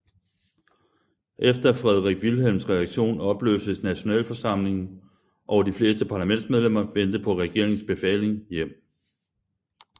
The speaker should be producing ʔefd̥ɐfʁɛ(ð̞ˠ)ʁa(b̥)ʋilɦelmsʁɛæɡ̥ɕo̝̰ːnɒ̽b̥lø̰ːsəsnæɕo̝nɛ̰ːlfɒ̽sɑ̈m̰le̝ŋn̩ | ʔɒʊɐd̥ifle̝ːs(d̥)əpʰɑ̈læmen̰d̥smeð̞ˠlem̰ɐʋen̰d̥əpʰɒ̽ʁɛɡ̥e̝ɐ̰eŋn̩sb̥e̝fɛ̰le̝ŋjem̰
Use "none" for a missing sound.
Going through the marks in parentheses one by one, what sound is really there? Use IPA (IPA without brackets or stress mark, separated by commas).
ð̞ˠ, ɡ̥, d̥